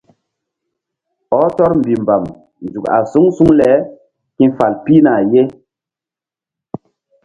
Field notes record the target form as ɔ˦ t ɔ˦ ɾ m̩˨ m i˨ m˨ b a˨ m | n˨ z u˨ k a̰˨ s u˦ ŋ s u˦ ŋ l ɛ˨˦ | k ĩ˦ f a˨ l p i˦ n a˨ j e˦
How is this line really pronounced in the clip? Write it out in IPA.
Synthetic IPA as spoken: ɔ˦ t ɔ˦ ɾ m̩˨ b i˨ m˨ b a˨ m | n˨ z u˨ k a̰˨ s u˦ ŋ s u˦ ŋ l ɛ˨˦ | k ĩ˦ f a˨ l p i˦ n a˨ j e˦